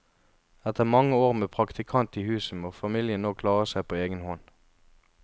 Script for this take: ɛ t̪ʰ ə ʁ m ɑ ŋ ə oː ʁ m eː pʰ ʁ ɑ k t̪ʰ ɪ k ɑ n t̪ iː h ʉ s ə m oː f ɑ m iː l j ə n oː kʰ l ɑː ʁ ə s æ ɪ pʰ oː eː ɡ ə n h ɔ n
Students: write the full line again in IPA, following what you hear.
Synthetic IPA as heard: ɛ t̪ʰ ə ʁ m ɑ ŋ ə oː ʁ m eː pʰ ʁ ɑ k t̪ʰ ɪ kʰ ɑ n t̪ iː h ʉː s ə m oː f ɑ m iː l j ə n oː kʰ l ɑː ʁ ə s æ ɪ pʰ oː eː ɡ ə n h ɔ n